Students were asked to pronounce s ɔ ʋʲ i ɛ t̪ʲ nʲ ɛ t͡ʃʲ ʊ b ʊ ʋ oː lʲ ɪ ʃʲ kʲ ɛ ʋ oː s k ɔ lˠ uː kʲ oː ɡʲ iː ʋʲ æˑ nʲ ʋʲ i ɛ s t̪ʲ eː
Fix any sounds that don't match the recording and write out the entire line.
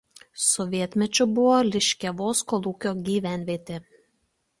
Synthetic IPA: s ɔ ʋʲ i ɛ t̪ʲ mʲ ɛ t͡ʃʲ ʊ b ʊ ʋ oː lʲ ɪ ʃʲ kʲ ɛ ʋ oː s k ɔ lˠ uː kʲ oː ɡʲ iː ʋʲ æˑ nʲ ʋʲ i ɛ t̪ʲ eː

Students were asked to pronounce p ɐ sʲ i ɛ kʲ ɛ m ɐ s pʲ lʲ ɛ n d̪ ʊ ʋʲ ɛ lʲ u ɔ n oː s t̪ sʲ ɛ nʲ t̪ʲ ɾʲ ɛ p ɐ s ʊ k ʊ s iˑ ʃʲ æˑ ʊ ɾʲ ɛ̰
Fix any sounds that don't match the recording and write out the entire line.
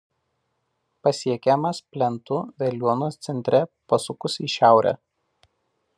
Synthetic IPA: p ɐ sʲ i ɛ kʲ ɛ m ɐ s pʲ lʲ ɛ n t̪ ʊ ʋʲ ɛ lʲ u ɔ n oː s t̪ sʲ ɛ nʲ t̪ʲ ɾʲ ɛ p ɐ s ʊ k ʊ s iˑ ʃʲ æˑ ʊ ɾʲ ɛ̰

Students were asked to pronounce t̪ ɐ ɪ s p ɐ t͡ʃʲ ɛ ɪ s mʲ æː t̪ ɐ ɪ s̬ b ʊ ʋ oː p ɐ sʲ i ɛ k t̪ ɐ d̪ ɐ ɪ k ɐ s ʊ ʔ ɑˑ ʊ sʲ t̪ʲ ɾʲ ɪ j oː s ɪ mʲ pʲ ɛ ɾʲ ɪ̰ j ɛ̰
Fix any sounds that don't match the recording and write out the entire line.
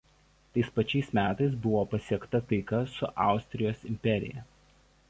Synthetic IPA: t̪ ɐ ɪ s p ɐ t͡ʃʲ ɛ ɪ s mʲ æː t̪ ɐ ɪ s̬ b ʊ ʋ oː p ɐ sʲ i ɛ k t̪ ɐ t̪ ɐ ɪ k ɐ s ʊ ʔ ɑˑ ʊ sʲ t̪ʲ ɾʲ ɪ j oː s ɪ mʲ pʲ ɛ ɾʲ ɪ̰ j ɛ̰

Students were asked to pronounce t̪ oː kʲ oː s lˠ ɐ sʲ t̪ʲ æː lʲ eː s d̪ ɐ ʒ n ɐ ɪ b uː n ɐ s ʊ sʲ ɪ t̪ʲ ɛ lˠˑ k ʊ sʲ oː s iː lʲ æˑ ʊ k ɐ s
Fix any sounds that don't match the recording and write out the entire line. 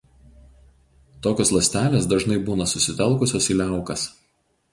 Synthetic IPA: t̪ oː kʲ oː s lˠ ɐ sʲ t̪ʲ æː lʲ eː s d̪ ɐ ʒ n ɐ ɪ b uː n ɐ s ʊ sʲ ɪ t̪ʲ ɛ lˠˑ k ʊ sʲ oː s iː lʲ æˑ ʊ k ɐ s

